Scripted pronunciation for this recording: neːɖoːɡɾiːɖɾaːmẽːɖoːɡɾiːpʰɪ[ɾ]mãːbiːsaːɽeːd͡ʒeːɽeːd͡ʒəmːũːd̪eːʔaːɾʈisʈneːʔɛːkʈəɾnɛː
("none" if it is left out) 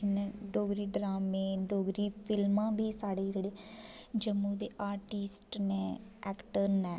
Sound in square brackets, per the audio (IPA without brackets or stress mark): l